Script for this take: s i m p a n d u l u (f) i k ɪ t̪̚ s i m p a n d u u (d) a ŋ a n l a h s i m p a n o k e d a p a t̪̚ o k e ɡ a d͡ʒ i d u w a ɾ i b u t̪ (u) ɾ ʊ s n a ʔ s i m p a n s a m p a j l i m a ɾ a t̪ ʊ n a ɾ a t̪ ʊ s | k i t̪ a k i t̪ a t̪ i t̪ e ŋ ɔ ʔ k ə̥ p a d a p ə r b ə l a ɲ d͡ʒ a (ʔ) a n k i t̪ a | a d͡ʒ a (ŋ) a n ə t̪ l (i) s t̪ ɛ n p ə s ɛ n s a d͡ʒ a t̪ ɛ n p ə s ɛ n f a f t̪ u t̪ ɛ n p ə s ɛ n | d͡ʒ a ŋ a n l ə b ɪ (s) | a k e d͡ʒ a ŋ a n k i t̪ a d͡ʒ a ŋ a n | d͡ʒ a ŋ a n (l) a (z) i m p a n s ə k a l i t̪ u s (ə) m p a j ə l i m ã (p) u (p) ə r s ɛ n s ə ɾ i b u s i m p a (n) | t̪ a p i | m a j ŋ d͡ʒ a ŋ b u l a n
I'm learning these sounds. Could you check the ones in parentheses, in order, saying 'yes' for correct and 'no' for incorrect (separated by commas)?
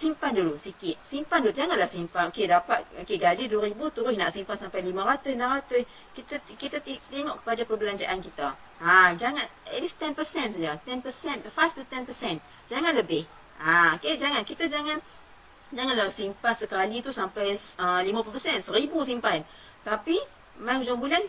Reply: no, no, yes, yes, yes, yes, no, yes, no, no, yes, yes, yes